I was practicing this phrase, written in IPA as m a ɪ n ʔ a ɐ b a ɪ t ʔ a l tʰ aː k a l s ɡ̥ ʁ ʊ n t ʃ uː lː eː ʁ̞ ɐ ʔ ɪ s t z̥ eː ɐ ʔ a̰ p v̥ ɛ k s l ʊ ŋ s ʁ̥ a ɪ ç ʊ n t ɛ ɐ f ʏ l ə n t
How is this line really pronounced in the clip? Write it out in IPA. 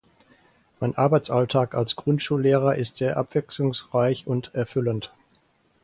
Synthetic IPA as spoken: m a ɪ n ʔ a ɐ b a ɪ t͡s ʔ a l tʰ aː k a l s ɡ̥ ʁ ʊ n t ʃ uː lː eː ʁ̞ ɐ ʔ ɪ s t z̥ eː ɐ ʔ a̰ p v̥ ɛ k s l ʊ ŋ s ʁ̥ a ɪ ç ʊ n t ɛ ɐ f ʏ l ə n t